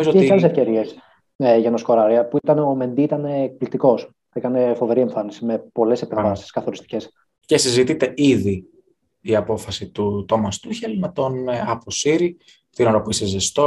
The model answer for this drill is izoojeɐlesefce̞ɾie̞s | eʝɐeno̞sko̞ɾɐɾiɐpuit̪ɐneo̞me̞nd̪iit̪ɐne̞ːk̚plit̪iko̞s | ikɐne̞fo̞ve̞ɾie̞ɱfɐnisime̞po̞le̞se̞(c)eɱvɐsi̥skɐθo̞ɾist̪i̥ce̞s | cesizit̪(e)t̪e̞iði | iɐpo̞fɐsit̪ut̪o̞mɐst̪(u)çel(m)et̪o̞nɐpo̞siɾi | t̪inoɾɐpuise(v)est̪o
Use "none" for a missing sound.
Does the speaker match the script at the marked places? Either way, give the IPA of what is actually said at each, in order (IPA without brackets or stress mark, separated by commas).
p, i, u, m, z